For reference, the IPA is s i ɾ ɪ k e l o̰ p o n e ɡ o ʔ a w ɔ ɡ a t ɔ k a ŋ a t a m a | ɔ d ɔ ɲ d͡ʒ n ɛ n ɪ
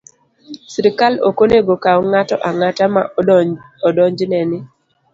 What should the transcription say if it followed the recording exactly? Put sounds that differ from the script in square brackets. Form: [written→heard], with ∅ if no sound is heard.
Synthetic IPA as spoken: s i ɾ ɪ k [e→a] l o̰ [p→k] o n e ɡ o [ʔ→k] a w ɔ [ɡ→ŋ] a t ɔ [k→ʔ] a ŋ a t a m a | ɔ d ɔ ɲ d͡ʒ n ɛ n ɪ